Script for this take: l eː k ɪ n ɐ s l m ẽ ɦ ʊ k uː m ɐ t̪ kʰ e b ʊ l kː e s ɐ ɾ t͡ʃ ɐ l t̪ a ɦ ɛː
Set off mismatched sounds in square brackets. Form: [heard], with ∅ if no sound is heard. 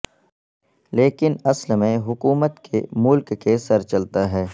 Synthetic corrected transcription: l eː k ɪ n ɐ s l m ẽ ɦ ʊ k uː m [ə] t̪ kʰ e [m] ʊ l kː e s ɐ ɾ t͡ʃ ɐ l t̪ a ɦ ɛː